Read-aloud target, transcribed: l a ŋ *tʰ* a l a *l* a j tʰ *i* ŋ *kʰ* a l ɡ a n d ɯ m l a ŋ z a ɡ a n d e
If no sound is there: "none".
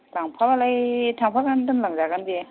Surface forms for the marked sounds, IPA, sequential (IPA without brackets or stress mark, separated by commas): pʰ, l, a, pʰ